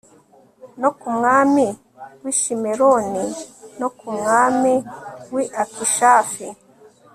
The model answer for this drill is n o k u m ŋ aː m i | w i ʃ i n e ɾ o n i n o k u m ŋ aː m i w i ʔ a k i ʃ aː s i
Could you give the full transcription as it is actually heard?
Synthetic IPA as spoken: n o k u m ŋ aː m i | w i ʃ i m e ɾ o n i n o k u m ŋ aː m i w i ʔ a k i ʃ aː f i